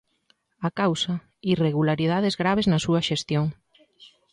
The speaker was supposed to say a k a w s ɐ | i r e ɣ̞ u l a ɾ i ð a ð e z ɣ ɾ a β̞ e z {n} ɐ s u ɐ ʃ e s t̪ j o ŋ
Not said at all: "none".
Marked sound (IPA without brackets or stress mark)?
n